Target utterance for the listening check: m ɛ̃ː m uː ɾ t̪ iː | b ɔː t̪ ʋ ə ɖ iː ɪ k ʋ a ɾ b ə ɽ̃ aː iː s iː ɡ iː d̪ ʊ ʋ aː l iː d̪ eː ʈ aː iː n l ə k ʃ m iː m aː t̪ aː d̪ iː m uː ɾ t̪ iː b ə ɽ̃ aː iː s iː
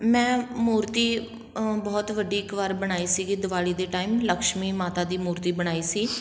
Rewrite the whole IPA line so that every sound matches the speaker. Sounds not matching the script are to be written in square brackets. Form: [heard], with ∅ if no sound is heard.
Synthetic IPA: m ɛ̃ː m uː ɾ t̪ iː | b ɔː t̪ ʋ ə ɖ iː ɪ k ʋ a ɾ b ə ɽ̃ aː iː s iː ɡ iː d̪ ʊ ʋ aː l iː d̪ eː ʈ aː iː [m] l ə k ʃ m iː m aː t̪ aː d̪ iː m uː ɾ t̪ iː b ə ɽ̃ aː iː s iː